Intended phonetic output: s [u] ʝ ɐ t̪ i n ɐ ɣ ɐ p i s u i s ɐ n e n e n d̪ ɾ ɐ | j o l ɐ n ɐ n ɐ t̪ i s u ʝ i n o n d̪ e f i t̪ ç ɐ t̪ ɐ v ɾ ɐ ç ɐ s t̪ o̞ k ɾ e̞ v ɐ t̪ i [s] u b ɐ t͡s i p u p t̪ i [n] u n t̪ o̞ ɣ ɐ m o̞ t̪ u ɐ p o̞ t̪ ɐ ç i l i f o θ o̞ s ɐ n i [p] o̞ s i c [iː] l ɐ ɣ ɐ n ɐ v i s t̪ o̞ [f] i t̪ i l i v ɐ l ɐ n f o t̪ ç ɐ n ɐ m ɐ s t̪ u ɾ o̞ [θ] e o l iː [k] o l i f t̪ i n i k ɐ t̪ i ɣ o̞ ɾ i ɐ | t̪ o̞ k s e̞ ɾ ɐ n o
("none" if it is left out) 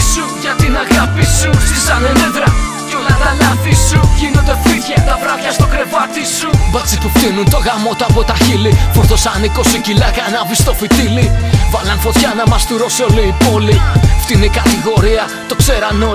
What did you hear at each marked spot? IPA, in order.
u, s, n, k, i, f, s, p

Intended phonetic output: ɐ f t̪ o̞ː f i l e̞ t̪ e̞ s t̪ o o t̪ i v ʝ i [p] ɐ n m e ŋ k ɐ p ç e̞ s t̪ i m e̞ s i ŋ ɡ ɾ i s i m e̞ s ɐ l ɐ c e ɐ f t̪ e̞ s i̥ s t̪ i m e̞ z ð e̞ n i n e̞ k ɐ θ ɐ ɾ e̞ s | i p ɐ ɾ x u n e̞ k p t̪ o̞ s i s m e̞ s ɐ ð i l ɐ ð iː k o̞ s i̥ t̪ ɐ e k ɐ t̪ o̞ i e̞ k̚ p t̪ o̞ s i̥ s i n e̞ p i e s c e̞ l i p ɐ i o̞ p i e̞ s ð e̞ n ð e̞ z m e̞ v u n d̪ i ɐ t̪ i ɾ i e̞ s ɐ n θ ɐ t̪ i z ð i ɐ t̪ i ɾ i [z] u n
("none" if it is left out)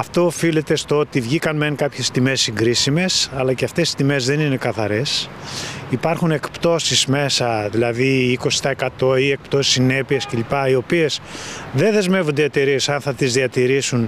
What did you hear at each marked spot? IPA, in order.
k, s

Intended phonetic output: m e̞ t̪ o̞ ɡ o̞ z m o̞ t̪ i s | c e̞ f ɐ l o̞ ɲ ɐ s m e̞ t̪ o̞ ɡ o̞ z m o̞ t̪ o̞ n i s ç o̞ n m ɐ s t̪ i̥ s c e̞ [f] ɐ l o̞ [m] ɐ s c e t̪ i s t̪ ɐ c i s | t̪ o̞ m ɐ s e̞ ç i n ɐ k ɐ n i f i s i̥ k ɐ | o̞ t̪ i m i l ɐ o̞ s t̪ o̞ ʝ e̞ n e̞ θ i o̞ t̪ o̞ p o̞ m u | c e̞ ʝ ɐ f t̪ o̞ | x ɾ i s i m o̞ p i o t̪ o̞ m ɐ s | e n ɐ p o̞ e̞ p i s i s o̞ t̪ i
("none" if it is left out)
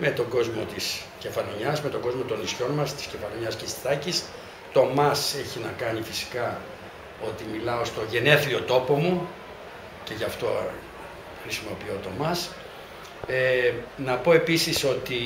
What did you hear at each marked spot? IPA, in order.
f, ɲ

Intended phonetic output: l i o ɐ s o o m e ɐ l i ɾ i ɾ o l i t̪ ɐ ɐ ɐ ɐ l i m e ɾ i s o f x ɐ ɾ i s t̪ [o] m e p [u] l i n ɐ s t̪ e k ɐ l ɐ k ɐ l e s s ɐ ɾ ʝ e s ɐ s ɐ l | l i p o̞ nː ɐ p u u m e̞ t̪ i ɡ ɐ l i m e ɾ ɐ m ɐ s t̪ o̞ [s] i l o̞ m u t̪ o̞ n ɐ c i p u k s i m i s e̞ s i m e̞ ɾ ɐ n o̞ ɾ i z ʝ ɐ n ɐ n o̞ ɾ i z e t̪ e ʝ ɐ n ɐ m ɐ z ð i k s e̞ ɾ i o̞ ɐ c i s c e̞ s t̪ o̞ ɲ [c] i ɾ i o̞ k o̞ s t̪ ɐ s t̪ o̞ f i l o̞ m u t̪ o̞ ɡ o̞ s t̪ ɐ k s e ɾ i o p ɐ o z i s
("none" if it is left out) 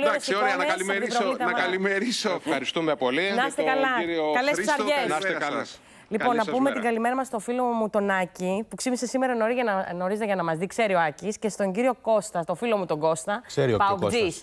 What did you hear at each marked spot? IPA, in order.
u, o, f, ɟ

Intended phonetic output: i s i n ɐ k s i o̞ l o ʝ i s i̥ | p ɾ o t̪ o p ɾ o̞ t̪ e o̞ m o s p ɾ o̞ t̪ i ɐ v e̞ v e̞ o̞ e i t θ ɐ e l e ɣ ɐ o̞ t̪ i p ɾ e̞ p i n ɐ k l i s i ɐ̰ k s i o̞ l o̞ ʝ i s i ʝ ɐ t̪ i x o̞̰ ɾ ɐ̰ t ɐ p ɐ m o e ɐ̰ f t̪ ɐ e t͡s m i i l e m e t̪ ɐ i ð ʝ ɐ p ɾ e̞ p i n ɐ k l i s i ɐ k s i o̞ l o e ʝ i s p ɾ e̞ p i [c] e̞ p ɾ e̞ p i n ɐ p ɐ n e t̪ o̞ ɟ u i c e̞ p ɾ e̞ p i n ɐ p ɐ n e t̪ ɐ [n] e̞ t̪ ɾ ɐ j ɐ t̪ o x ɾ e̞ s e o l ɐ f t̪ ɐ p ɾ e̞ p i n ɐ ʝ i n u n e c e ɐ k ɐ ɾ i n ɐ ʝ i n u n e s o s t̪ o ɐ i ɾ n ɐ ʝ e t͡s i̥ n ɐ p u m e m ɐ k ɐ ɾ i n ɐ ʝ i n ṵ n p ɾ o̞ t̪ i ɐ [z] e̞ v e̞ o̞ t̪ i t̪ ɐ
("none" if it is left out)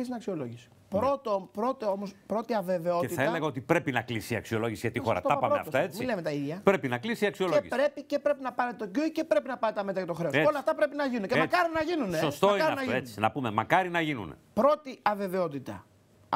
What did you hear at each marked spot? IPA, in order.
c, m, v

